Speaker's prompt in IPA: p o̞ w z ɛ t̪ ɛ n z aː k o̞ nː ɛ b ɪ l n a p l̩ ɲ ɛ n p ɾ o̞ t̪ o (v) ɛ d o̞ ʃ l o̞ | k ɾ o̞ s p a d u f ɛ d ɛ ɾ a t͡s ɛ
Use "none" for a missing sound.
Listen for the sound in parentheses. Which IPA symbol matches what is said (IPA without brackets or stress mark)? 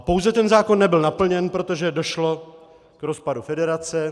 ʒ